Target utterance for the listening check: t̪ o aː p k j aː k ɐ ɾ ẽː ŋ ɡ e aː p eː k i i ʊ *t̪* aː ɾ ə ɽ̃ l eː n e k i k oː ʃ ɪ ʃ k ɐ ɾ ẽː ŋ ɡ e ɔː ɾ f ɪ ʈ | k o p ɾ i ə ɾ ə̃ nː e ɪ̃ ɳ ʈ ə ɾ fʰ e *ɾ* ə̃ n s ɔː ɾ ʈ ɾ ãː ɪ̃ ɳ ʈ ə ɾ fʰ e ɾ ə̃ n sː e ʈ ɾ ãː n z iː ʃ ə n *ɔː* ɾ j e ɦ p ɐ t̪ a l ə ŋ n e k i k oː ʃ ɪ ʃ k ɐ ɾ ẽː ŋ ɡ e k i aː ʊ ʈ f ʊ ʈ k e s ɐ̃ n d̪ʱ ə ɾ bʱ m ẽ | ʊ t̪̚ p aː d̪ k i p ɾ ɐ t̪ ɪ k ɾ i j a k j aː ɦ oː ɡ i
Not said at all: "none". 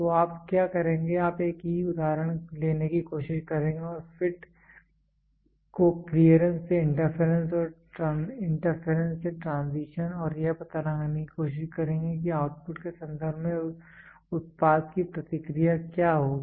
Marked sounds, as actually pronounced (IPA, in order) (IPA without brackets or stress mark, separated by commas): d̪, ɾ, ɔː